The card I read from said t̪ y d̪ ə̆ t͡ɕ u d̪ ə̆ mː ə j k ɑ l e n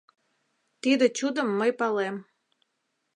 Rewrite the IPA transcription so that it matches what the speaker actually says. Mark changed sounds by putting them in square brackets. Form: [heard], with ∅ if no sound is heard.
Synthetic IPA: t̪ [i] d̪ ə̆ t͡ɕ u d̪ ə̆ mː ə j [p] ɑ l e [m]